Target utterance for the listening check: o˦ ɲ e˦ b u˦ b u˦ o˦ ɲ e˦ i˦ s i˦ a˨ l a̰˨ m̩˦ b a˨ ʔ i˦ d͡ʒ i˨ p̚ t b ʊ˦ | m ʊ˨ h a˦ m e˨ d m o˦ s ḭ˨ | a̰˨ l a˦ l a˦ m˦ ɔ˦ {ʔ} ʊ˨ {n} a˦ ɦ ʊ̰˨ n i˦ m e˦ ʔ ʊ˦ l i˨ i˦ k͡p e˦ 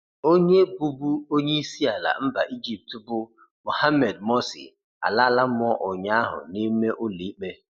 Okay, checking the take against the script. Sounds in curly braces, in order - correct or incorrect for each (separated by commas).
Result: correct, incorrect